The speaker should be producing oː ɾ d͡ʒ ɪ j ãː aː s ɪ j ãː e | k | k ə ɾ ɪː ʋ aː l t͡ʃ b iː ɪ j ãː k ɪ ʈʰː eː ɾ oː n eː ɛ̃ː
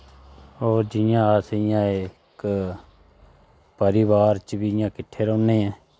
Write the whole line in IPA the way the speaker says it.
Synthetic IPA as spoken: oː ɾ d͡ʒ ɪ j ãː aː s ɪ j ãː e | k | p ə ɾ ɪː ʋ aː ɾ t͡ʃ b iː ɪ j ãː k ɪ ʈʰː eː ɾ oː n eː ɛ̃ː

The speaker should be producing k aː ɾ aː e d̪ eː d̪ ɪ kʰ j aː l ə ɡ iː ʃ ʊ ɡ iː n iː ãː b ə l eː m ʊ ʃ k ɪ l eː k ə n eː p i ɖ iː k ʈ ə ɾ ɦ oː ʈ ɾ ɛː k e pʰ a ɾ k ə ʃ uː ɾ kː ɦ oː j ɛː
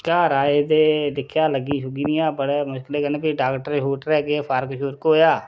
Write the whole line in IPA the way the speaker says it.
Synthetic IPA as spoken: k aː ɾ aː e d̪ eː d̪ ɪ kʰ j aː l ə ɡ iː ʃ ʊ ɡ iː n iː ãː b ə ɽ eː m ʊ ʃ k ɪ l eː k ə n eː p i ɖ aː k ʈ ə ɾ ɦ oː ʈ ɾ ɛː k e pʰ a ɾ k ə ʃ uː ɾ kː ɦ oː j aː

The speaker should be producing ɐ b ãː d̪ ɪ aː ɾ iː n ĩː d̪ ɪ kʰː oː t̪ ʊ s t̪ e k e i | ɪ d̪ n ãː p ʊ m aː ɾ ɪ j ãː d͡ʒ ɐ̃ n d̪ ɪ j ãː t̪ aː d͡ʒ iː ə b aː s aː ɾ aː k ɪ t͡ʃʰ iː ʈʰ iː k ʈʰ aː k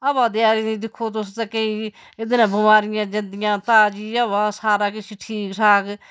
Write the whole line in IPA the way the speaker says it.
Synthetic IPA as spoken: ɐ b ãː d̪ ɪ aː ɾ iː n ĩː d̪ ɪ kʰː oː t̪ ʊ s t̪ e k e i | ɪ d̪ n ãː b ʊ m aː ɾ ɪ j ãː d͡ʒ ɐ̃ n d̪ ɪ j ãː t̪ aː d͡ʒ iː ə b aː s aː ɾ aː k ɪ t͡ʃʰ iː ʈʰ iː k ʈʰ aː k

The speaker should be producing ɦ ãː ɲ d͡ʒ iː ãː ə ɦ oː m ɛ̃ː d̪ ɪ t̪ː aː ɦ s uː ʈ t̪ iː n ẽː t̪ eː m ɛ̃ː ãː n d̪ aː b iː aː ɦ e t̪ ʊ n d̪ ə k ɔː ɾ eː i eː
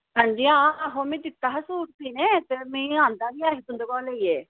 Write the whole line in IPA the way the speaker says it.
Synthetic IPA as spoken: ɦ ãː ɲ d͡ʒ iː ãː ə ɦ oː m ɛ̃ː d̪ ɪ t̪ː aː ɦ s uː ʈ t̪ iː n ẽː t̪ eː m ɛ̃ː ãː n d̪ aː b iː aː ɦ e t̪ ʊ n d̪ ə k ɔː l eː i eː

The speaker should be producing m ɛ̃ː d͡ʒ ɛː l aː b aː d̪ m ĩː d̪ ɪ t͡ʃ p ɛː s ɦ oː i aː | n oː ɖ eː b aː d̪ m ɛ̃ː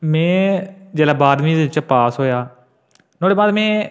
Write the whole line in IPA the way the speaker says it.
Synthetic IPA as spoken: m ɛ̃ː d͡ʒ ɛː l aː b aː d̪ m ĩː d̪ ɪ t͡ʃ p aː s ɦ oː j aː | n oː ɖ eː b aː d̪ m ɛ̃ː

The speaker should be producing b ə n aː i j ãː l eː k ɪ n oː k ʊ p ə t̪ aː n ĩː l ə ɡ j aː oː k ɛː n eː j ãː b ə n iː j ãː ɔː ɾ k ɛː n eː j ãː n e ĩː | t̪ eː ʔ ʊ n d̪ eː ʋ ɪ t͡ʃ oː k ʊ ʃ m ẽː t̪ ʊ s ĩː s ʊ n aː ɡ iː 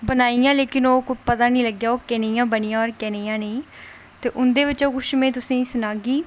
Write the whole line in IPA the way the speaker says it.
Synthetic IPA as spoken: b ə n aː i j ãː l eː k ɪ n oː k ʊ p ə t̪ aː n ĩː l ə ɡ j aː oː k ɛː n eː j ãː b ə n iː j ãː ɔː ɾ k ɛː n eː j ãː n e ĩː | t̪ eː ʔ ʊ n d̪ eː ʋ ɪ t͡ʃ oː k ʊ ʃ m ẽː t̪ ʊ s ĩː s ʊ n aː ɡ iː

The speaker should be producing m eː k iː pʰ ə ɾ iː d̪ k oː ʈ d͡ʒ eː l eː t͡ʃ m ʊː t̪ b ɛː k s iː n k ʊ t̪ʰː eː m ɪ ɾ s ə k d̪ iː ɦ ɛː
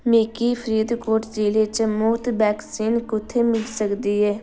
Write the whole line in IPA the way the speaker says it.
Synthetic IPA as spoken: m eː k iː pʰ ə ɾ iː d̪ k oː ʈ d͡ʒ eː l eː t͡ʃ m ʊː t̪ b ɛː k s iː n k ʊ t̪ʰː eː m ɪ l s ə k d̪ iː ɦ ɛː

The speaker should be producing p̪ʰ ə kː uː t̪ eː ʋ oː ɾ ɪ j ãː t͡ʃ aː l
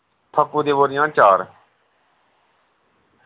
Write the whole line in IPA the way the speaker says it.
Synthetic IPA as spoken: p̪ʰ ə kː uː d̪ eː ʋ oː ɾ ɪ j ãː t͡ʃ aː ɾ

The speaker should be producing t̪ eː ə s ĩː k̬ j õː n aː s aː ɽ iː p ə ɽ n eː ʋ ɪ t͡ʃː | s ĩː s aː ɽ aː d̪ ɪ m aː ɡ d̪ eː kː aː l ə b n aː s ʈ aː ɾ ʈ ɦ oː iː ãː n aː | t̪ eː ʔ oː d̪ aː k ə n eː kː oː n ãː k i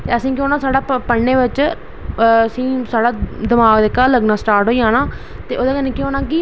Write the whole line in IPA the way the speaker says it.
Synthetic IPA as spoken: t̪ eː ə s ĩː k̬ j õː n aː s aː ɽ aː p ə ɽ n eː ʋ ɪ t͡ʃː | s ĩː s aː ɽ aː d̪ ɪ m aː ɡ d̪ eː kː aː l ə ɡ n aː s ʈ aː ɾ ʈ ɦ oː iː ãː n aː | t̪ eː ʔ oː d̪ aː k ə n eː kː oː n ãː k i

